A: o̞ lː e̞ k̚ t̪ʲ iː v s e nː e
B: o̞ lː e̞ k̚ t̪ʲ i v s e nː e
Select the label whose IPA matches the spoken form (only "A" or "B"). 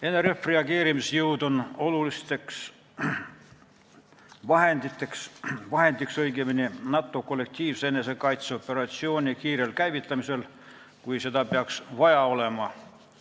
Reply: A